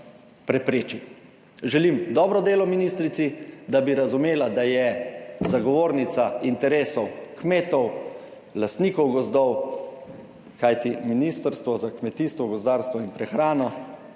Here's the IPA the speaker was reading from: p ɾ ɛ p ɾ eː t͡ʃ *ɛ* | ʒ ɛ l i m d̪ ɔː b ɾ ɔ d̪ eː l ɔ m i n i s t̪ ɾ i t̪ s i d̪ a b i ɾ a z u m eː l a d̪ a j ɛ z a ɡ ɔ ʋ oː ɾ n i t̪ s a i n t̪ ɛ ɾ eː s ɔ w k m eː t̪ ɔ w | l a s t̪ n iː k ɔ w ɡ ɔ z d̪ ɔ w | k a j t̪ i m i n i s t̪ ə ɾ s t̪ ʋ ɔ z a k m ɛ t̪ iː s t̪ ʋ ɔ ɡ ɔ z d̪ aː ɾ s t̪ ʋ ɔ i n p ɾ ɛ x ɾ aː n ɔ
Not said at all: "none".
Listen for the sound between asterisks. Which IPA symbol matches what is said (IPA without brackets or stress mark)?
i